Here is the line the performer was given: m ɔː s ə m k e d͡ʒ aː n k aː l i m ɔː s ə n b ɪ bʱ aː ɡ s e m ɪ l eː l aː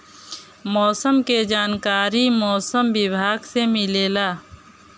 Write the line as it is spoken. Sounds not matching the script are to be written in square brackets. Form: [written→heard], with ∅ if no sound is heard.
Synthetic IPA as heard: m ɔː s ə m k e d͡ʒ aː n k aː [l→ɾ] i m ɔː s ə [n→m] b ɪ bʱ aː ɡ s e m ɪ l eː l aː